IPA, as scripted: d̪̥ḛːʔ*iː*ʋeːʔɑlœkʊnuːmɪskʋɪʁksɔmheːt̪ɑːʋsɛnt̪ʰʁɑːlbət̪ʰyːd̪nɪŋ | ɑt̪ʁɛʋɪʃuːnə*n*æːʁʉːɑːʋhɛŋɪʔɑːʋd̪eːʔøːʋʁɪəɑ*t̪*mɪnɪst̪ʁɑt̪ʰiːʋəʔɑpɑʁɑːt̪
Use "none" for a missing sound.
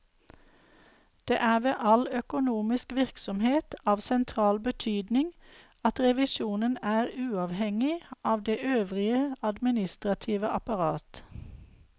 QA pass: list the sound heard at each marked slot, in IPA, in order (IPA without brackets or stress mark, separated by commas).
æː, n, d̪